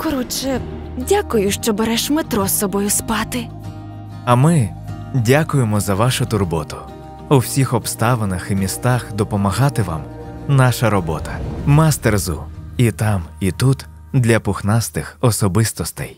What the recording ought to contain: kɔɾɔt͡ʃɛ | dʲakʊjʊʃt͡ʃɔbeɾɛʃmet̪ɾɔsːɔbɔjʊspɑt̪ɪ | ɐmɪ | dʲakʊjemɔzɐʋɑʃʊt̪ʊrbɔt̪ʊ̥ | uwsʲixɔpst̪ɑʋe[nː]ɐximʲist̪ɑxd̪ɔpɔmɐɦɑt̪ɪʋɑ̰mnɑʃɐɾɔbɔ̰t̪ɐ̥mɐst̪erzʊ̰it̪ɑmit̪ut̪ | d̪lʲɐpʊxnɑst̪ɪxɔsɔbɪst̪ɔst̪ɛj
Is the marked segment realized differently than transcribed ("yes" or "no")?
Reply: yes